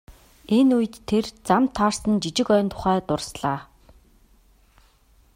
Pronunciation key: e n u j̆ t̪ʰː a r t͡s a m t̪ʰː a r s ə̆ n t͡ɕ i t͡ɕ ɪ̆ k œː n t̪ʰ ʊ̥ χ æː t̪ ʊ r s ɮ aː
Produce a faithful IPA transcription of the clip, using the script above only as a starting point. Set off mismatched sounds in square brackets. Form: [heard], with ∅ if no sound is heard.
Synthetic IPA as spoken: e n u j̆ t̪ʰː [e] r t͡s a m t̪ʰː a r s ə̆ n t͡ɕ i t͡ɕ ɪ̆ k œː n t̪ʰ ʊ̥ χ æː t̪ ʊ r s ɮ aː